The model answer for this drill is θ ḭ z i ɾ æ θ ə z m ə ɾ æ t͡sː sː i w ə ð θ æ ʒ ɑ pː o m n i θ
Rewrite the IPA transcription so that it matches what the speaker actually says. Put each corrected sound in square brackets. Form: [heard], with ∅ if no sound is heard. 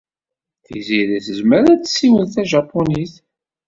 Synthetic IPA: θ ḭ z i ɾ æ θ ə z m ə ɾ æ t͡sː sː i w ə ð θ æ ʒ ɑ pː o [∅] n i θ